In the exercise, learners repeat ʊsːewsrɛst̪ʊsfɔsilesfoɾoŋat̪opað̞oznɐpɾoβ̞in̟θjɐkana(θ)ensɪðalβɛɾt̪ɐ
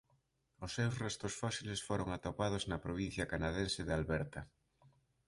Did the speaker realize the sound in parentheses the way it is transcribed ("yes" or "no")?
no